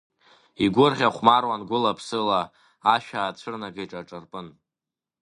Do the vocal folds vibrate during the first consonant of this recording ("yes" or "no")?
yes